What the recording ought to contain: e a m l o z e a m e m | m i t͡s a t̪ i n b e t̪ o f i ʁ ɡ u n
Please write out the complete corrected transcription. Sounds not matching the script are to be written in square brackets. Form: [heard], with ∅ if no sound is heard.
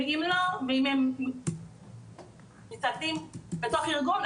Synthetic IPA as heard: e [i] m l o [v] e [i] m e m | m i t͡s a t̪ i [m] b e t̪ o [χ] i ʁ ɡ u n